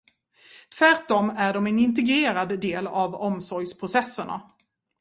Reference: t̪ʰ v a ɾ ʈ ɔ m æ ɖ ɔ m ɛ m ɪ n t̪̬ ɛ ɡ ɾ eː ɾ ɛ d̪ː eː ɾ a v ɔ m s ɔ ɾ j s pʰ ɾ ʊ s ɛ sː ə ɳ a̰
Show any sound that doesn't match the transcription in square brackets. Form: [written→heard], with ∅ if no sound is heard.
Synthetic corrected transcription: t̪ʰ v [a→æ] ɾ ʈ ɔ m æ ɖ ɔ m ɛ [m→n] ɪ n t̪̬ ɛ ɡ ɾ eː ɾ [ɛ→a] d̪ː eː [ɾ→l] a v ɔ m s ɔ ɾ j s pʰ ɾ ʊ s ɛ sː ə ɳ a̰